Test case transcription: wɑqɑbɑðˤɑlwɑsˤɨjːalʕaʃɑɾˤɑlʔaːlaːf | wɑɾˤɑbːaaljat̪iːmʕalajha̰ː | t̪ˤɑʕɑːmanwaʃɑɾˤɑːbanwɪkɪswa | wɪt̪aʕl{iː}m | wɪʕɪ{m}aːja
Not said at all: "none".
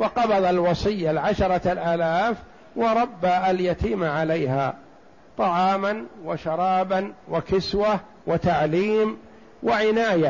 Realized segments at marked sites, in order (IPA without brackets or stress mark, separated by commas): iː, n